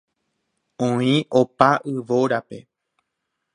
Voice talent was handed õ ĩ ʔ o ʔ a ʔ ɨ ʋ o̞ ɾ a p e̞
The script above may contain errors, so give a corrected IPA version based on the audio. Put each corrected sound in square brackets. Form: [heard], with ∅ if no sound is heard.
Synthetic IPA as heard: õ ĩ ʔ o [p] a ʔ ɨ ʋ o̞ ɾ a p e̞